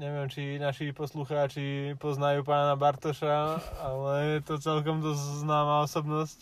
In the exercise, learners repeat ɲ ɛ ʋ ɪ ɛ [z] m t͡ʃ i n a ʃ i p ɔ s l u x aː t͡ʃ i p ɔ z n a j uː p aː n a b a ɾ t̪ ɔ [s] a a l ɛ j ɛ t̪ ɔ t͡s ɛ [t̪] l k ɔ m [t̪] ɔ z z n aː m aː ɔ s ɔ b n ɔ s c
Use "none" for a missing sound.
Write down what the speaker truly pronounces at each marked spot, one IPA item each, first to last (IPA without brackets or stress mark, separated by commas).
none, ʃ, none, d̪